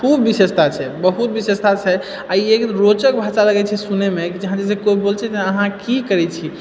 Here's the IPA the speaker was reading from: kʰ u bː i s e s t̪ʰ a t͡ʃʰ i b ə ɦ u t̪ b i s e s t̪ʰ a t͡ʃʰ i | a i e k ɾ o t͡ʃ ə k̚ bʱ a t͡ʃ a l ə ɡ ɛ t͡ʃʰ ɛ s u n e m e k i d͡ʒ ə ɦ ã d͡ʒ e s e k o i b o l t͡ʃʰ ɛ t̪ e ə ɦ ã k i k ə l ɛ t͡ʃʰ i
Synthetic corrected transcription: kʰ u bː i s e s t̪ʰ a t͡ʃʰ ɛ b ə ɦ u t̪ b i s e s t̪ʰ a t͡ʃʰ ɛ | a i e k ɾ o t͡ʃ ə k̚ bʱ a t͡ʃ a l ə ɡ ɛ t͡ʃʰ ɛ s u n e m e k i d͡ʒ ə ɦ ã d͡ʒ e s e k o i b o l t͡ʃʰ ɛ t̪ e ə ɦ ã k i k ə ɾ ɛ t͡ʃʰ i